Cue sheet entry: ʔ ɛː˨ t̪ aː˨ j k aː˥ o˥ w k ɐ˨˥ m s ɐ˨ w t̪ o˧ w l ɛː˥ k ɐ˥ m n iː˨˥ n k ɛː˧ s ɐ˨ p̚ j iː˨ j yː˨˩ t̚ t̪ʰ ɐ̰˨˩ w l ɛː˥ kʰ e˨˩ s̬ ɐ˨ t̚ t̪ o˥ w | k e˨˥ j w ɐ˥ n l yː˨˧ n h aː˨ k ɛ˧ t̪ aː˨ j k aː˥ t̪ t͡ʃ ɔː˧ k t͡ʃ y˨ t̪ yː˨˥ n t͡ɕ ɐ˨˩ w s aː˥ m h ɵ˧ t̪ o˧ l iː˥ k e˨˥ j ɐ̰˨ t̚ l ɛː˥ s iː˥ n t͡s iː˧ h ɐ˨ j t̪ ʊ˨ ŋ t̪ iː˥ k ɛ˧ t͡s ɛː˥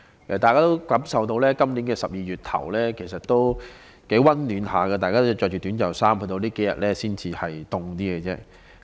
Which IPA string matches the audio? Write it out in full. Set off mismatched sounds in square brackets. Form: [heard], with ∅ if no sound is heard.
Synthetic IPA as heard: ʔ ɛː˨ t̪ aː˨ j k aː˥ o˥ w k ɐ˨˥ m s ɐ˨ w t̪ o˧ w l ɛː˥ k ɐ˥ m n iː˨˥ n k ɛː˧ s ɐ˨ p̚ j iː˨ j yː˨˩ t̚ t̪ʰ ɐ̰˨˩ w l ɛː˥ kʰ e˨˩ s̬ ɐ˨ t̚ t̪ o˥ w | k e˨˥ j w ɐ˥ n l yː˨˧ n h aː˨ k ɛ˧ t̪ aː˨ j k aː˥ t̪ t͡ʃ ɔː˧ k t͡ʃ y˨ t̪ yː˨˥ n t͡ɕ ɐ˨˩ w s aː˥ m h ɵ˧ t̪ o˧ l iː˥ k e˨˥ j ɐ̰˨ t̚ l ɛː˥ s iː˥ n t͡s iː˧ h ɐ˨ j t̪ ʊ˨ ŋ t̪ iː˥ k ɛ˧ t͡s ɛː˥